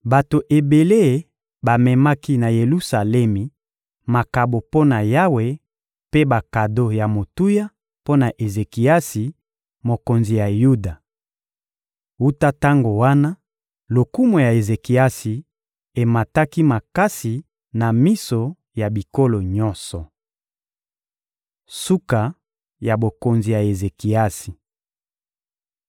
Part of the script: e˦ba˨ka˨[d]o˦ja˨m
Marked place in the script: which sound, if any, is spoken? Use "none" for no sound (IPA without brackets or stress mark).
d